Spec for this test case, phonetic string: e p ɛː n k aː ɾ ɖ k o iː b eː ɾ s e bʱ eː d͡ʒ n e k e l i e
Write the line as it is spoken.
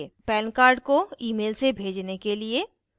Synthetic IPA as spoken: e p ɛː n k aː ɾ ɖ k o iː m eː l s e bʱ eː d͡ʒ n e k e l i e

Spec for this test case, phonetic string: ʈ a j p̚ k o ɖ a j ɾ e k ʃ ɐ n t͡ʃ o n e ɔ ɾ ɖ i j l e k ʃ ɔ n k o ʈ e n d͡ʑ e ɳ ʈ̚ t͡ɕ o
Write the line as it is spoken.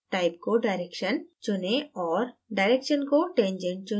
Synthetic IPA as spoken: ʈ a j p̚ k o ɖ a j ɾ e k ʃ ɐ n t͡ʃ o n e ɔ ɾ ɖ a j ɾ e k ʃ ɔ n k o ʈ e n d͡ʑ e ɳ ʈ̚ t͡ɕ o

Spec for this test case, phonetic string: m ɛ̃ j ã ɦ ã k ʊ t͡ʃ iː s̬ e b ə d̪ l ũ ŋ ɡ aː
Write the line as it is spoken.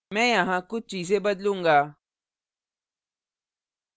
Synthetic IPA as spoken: m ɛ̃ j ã ɦ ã k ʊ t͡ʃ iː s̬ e b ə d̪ l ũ ŋ ɡ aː

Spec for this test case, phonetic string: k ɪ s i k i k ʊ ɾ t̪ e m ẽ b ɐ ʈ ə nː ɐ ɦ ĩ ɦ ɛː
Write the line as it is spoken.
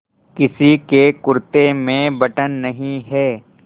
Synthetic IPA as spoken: k ɪ s i k e k ʊ ɾ t̪ e m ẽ b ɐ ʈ ə nː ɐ ɦ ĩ ɦ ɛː

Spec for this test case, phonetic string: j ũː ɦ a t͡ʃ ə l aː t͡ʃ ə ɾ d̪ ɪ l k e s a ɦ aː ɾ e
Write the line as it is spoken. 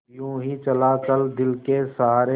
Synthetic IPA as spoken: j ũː ɦ i t͡ʃ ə l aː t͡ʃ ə l d̪ ɪ l k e s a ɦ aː ɾ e

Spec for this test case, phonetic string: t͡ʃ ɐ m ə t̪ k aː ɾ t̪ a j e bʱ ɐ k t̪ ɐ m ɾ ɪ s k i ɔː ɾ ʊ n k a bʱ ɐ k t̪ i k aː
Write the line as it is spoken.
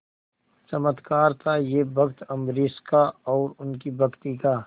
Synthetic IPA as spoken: t͡ʃ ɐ m ə t̪ k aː ɾ t̪ʰ a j e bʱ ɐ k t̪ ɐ m ɾ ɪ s k a ɔː ɾ ʊ n k i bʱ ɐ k t̪ i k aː

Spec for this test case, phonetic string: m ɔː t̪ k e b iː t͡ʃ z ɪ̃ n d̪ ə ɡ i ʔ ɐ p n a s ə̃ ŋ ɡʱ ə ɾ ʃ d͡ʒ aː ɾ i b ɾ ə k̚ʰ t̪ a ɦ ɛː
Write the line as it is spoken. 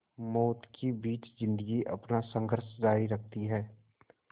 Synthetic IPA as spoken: m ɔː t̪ k i b iː t͡ʃ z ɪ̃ n d̪ ə ɡ i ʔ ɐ p n a s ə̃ ŋ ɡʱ ə ɾ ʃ d͡ʒ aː ɾ i ɾ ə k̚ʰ t̪ i ɦ ɛː

